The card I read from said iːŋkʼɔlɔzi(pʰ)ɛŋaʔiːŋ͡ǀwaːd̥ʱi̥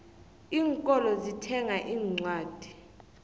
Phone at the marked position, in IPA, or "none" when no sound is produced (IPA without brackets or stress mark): tʰ